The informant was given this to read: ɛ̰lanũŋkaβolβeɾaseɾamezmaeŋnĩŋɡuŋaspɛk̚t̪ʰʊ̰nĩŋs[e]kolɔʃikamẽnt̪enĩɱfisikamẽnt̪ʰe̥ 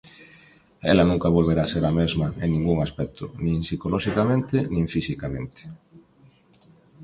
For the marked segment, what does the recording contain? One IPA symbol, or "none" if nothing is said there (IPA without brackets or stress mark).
i